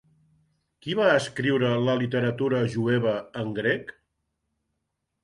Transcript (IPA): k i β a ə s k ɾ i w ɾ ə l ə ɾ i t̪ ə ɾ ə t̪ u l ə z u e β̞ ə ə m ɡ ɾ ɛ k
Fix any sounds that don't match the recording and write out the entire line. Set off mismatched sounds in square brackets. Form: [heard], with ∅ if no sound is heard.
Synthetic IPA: k i β a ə s k ɾ i w ɾ ə l ə [l] i t̪ ə ɾ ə t̪ u [ɾ] ə [ʒ] u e β̞ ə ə [ŋ] ɡ ɾ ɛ k